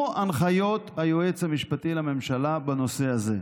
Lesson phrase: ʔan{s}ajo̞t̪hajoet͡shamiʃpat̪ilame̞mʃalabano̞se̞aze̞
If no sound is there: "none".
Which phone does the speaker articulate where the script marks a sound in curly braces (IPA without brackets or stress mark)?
χ